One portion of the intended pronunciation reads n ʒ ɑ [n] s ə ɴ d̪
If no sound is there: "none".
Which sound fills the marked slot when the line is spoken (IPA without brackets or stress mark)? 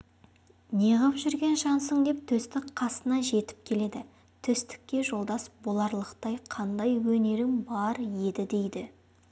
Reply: n